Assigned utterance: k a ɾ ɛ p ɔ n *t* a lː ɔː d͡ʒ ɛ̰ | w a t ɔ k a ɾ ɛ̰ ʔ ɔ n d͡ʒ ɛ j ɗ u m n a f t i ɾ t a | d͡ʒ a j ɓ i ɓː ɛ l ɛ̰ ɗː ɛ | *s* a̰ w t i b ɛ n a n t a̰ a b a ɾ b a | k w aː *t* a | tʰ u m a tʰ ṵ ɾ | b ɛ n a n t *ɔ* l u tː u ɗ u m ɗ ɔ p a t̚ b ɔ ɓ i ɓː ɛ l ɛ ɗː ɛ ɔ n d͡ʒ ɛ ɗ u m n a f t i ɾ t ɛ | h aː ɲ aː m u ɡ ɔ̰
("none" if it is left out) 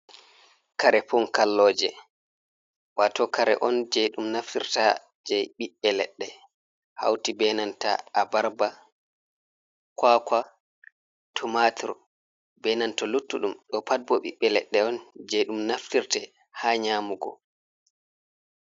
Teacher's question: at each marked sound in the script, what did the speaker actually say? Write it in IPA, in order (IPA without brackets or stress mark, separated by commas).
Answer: k, h, k, ɔ